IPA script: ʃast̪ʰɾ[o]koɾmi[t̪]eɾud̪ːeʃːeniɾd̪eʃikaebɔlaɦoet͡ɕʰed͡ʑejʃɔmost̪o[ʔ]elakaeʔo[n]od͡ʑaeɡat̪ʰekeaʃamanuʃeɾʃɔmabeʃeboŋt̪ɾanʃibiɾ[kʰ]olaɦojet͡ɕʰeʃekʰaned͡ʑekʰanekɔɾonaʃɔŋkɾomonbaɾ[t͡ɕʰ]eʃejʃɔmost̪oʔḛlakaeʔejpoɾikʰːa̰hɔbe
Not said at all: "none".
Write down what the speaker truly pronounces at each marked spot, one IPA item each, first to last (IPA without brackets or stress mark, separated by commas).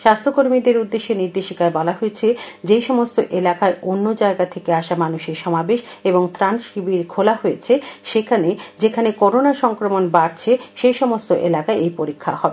o, d̪, ʔ, nː, kʰ, t͡ɕʰ